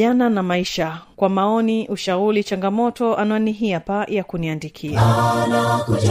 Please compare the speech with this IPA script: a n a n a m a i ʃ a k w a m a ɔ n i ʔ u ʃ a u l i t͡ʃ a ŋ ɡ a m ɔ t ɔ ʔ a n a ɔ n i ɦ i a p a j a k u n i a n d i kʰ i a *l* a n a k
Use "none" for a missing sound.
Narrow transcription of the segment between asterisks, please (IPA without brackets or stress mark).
none